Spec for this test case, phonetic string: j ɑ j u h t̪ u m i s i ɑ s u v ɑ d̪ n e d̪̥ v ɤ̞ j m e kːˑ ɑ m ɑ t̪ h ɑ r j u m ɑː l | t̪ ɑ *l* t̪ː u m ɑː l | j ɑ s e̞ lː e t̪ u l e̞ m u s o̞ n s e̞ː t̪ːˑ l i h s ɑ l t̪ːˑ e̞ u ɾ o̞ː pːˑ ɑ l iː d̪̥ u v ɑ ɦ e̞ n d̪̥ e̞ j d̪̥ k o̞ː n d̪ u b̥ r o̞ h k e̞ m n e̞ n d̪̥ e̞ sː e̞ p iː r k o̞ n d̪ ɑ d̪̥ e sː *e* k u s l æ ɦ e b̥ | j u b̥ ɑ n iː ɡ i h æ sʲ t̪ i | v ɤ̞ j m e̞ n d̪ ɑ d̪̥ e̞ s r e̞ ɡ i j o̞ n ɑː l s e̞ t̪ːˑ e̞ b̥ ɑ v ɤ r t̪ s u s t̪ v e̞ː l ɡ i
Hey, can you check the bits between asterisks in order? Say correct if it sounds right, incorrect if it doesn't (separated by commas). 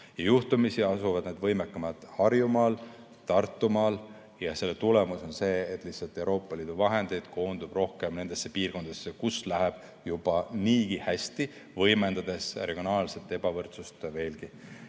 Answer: incorrect, correct